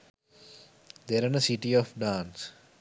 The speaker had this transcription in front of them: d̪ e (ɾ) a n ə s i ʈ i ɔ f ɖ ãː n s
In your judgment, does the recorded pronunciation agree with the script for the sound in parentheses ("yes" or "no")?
yes